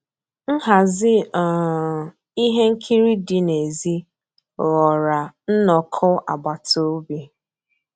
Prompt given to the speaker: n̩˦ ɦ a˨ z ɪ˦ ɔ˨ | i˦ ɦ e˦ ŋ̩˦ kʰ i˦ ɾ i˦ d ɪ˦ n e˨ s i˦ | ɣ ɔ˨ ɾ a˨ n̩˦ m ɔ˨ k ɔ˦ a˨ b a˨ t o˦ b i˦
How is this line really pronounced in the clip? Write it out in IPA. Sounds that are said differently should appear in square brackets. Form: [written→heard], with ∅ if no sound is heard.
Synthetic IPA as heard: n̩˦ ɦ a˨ z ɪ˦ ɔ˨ | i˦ ɦ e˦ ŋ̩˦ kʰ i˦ ɾ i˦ d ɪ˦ n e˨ [s→z] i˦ | ɣ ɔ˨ ɾ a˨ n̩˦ [m→n] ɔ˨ [k→kʰ] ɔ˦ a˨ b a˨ t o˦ b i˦